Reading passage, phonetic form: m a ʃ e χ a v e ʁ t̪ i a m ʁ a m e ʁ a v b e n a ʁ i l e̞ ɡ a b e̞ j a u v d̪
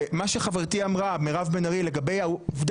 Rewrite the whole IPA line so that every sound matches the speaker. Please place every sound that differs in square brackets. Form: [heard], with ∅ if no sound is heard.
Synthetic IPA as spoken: m a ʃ e χ a v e ʁ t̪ i a m ʁ a m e ʁ a v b e n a ʁ i l e̞ ɡ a b e̞ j a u v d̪